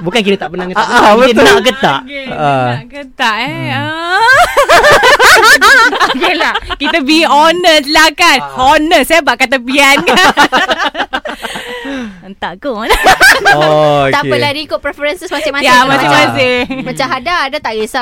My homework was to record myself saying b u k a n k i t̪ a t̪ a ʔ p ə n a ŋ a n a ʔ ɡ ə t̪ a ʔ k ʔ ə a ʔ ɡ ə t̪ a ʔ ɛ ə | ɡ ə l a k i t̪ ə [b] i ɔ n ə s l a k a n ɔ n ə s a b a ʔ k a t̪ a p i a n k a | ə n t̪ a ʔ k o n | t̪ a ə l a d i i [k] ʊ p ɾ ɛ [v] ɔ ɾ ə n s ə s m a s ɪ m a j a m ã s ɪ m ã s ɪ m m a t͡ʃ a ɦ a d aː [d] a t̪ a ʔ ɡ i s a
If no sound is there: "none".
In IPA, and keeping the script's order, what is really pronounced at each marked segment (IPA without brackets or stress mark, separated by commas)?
b, k, f, d